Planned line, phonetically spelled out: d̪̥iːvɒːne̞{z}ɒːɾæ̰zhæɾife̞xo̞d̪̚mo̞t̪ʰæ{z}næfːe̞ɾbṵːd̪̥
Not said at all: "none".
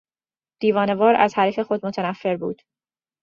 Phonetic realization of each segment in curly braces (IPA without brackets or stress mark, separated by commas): v, none